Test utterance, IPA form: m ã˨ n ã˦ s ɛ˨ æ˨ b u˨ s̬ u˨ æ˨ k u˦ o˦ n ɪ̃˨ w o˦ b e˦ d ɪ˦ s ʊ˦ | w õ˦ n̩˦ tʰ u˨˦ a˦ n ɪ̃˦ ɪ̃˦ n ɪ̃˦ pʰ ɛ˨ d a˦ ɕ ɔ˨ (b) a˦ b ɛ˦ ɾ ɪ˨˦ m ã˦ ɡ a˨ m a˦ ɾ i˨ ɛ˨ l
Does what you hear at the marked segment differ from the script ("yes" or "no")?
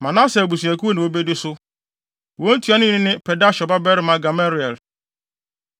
no